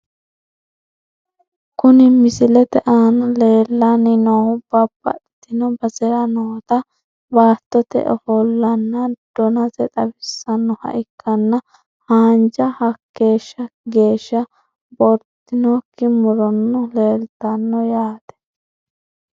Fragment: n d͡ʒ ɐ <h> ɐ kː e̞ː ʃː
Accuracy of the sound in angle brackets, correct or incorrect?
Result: correct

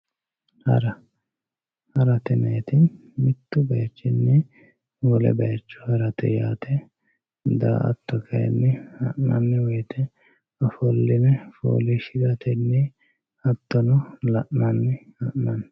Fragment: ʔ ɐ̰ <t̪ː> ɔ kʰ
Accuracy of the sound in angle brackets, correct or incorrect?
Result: correct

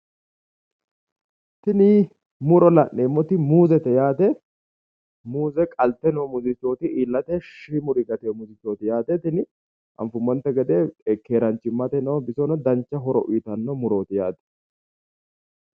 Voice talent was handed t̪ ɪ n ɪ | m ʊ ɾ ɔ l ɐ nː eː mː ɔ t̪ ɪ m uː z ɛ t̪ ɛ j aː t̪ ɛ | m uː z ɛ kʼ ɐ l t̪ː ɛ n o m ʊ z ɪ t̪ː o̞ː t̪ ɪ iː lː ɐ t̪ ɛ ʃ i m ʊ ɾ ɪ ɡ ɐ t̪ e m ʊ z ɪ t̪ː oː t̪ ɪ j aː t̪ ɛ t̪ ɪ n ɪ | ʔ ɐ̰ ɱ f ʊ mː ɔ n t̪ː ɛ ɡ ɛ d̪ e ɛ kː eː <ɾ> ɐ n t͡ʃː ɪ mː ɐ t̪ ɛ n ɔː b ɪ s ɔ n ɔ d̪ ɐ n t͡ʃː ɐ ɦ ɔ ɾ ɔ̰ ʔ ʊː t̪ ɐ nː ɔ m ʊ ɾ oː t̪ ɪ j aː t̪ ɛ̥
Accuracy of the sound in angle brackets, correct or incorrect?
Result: correct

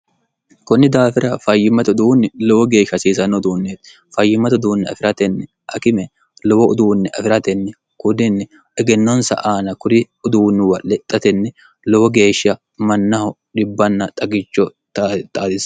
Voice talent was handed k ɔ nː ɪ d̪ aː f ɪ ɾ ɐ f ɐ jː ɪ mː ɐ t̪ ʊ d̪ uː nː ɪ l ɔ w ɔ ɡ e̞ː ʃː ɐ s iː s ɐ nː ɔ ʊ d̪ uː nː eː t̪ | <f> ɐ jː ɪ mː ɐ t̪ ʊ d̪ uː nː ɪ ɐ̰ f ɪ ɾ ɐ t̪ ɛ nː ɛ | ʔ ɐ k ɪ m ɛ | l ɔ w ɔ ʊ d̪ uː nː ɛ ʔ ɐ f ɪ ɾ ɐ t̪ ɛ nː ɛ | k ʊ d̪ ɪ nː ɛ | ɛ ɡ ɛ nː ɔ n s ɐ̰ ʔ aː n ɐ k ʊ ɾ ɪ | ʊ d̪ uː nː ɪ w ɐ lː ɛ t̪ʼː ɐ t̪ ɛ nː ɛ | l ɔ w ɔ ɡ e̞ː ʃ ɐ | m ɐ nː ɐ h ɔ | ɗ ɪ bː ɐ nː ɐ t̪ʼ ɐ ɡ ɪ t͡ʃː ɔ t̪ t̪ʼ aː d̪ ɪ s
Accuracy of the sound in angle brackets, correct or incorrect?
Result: correct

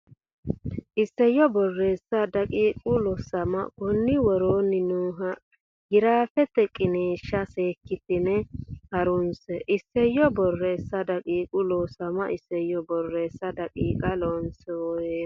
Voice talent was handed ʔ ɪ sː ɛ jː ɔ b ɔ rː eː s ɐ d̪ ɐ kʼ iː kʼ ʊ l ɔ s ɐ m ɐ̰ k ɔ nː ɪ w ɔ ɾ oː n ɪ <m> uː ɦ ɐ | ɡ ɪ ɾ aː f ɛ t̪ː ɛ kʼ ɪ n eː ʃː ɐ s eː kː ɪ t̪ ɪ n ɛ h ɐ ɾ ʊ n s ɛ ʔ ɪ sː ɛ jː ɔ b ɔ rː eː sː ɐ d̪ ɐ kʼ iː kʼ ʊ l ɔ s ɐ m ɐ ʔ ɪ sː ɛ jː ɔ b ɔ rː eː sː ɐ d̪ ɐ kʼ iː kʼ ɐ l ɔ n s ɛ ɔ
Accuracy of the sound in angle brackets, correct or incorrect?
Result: incorrect: n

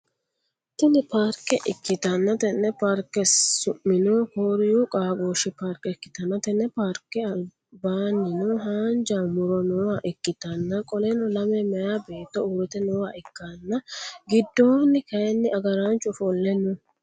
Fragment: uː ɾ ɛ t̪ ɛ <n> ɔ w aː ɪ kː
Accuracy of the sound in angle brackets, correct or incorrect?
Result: correct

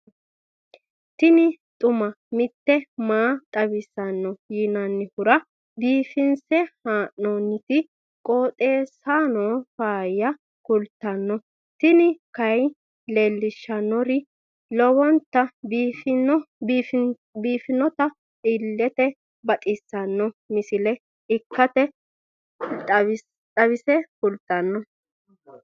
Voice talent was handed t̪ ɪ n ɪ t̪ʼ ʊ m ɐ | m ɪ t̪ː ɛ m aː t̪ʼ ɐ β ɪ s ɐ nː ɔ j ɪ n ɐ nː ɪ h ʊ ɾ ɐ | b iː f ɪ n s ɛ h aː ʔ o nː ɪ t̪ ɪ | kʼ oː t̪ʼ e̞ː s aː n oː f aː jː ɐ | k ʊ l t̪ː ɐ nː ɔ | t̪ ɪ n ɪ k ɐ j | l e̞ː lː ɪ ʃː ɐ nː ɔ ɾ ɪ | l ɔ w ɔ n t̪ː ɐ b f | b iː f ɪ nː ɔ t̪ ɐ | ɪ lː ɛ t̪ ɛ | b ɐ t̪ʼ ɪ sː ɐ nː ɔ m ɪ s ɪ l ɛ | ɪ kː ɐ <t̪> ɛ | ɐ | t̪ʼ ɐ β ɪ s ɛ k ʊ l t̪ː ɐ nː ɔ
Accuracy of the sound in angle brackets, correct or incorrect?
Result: correct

